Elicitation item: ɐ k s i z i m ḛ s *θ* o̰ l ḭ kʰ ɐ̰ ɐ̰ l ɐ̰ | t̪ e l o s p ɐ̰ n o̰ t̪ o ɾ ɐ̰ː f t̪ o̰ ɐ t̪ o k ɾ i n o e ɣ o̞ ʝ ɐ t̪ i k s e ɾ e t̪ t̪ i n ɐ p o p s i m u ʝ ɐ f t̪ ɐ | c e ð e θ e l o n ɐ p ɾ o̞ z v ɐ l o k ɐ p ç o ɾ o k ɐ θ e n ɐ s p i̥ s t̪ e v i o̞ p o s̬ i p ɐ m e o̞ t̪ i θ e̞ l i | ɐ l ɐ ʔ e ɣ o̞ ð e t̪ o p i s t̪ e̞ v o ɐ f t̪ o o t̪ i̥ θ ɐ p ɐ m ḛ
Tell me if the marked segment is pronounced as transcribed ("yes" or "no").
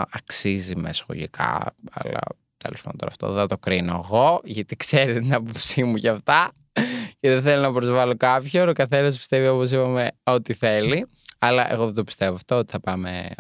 no